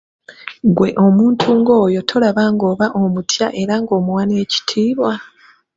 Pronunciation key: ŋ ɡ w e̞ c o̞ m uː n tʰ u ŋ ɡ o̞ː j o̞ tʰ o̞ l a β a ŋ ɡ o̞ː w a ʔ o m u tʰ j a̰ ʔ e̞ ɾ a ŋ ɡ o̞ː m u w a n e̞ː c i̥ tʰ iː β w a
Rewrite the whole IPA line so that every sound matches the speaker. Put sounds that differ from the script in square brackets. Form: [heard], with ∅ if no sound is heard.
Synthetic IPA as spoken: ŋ ɡ w e̞ [ʔ] o̞ m uː n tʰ u ŋ ɡ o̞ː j o̞ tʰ o̞ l a β a ŋ ɡ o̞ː [β] a ʔ o m u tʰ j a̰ ʔ e̞ ɾ a ŋ ɡ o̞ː m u w a n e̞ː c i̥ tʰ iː β w a